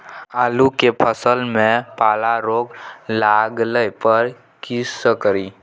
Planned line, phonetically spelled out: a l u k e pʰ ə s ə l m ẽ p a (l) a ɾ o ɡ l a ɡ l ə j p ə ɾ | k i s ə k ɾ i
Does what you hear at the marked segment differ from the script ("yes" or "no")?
no